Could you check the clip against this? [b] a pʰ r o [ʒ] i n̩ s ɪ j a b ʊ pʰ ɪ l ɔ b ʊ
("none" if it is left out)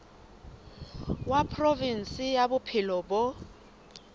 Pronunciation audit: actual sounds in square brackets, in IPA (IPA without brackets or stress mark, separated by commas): w, v